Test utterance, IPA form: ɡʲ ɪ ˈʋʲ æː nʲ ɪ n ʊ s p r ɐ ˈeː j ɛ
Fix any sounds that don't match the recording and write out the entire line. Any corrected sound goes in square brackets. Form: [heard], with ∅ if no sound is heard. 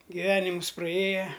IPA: ɡʲ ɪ ˈʋʲ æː nʲ ɪ [m] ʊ s p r ɐ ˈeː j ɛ